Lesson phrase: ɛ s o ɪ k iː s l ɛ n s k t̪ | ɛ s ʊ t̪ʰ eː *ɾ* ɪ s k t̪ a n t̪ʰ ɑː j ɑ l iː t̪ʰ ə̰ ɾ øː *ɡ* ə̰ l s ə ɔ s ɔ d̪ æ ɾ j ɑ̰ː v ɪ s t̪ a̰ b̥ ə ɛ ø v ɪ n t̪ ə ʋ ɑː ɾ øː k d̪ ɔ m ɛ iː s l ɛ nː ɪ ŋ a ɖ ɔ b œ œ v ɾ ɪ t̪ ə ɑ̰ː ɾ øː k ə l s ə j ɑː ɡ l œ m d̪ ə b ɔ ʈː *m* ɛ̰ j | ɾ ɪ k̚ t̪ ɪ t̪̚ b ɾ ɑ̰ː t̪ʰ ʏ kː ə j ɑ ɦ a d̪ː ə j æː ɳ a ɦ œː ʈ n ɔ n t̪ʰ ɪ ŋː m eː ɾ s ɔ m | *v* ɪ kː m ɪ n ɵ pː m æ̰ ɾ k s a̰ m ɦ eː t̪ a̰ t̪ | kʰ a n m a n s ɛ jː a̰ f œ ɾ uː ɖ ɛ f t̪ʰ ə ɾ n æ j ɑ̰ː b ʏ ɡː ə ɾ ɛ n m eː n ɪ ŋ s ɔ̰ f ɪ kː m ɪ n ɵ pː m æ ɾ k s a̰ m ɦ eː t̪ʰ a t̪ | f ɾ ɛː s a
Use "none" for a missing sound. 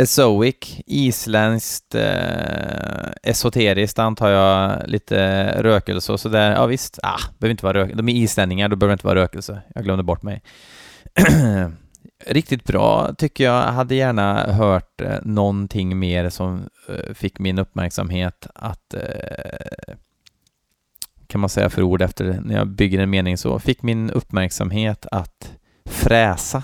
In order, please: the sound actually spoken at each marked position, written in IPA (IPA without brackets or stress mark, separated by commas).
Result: ɾ, k, m, f